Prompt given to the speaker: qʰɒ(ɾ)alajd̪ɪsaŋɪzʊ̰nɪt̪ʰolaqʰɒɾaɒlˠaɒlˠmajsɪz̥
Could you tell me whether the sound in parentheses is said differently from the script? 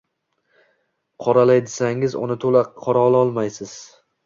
no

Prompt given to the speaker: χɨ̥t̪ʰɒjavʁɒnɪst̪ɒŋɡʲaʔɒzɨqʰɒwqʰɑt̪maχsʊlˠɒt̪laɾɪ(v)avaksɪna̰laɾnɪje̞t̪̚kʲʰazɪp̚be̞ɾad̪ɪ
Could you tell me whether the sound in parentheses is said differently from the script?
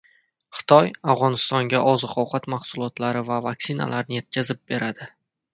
no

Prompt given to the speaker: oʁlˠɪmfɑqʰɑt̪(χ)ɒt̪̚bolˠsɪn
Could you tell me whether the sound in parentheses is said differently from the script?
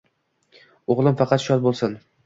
yes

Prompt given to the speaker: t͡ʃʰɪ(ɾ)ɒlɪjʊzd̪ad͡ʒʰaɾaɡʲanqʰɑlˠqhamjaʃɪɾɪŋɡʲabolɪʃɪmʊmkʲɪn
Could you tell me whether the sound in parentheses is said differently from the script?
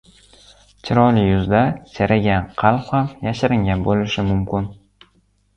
no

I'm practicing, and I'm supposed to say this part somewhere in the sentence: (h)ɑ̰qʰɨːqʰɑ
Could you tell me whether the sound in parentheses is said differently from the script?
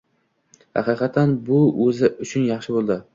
no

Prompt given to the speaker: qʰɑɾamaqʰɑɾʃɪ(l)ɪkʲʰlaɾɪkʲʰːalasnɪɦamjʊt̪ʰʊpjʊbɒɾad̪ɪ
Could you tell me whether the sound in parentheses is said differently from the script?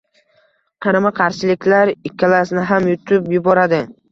no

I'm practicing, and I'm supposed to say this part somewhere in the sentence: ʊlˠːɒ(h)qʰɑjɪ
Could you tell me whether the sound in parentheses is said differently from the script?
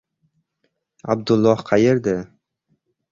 no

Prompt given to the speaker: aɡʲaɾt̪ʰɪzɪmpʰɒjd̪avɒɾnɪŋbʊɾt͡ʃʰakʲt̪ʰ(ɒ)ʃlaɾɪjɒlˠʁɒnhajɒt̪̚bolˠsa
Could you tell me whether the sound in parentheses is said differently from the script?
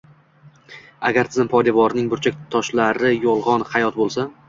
no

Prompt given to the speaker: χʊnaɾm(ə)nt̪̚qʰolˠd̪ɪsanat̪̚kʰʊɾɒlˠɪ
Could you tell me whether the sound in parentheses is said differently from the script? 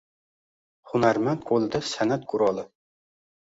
yes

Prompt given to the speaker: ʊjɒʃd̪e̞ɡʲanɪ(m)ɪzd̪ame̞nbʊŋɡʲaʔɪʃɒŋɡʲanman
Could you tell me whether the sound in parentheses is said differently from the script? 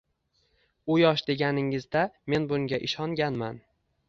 yes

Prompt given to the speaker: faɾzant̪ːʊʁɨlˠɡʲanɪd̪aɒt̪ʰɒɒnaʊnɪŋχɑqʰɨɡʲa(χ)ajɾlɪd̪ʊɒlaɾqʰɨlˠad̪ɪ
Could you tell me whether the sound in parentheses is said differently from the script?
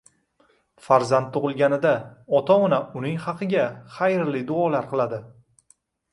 no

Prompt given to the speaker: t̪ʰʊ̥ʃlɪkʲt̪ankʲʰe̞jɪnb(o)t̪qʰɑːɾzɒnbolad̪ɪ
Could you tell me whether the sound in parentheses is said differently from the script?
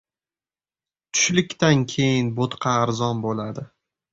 no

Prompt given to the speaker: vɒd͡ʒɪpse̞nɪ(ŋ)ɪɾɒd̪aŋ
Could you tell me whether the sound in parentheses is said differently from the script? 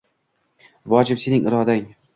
no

